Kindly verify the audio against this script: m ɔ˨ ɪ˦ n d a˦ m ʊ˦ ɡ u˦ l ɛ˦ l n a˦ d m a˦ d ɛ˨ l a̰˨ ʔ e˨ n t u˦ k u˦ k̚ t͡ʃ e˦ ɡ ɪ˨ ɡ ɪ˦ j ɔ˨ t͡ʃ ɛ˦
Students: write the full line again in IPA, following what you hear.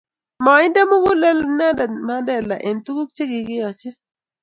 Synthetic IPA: m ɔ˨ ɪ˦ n d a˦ m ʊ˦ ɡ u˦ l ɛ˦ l n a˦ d m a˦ d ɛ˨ l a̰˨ ʔ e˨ n t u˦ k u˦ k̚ t͡ʃ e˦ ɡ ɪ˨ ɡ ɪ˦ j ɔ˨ t͡ʃ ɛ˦